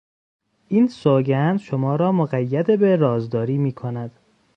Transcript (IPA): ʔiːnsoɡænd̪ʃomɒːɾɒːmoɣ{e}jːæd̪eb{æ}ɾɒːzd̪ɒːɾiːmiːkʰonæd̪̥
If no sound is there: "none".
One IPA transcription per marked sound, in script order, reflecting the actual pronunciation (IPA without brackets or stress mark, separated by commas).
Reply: æ, e